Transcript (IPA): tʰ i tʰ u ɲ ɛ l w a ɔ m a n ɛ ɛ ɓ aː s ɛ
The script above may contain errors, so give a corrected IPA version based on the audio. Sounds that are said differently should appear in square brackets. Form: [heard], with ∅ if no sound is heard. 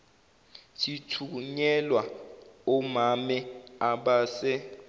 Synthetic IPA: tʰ i tʰ u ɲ ɛ l w a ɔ m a [m] ɛ [a] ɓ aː s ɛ